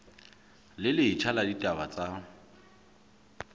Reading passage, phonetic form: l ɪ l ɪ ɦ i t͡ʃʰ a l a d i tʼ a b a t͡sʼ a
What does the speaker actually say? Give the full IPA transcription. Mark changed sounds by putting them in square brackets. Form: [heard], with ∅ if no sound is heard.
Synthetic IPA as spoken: l ɪ l ɪ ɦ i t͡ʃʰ a l a d i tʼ a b a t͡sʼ a